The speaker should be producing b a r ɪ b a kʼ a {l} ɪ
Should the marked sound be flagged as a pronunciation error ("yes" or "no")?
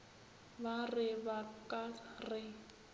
yes